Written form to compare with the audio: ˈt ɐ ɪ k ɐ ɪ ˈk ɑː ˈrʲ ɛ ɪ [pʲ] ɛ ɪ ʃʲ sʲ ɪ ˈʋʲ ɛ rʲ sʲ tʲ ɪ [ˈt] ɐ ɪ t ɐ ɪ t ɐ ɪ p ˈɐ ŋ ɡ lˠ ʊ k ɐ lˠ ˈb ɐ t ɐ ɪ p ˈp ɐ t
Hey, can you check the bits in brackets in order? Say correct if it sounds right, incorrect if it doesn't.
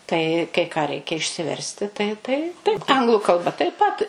incorrect, correct

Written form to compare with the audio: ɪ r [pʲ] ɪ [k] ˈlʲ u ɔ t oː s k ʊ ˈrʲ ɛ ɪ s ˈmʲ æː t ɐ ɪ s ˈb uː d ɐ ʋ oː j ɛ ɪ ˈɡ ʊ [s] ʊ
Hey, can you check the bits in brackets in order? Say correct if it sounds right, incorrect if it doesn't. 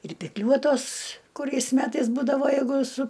correct, correct, correct

